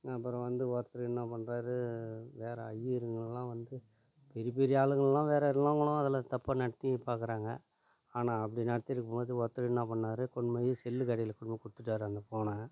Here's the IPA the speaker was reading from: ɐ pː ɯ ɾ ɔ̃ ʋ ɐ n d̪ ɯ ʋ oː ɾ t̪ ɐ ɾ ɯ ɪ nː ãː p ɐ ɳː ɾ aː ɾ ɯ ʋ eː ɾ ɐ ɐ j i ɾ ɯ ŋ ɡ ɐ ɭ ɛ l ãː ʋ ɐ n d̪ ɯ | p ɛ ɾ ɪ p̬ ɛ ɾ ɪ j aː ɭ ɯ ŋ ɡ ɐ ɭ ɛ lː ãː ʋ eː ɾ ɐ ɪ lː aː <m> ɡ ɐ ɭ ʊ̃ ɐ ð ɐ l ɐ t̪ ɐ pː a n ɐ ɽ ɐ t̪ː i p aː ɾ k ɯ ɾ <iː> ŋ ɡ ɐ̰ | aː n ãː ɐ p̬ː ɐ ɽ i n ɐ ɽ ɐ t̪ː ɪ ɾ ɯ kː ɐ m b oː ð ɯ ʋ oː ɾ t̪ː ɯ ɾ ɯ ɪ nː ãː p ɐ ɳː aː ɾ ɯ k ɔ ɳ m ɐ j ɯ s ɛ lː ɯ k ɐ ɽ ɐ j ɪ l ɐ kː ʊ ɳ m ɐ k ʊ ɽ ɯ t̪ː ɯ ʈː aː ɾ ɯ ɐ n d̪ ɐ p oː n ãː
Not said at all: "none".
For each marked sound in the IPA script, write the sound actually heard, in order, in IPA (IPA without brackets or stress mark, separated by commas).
ŋ, aː